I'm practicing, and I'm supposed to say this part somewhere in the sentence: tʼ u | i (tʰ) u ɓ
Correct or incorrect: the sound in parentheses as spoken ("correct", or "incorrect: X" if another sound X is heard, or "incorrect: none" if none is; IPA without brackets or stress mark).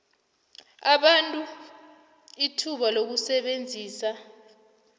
correct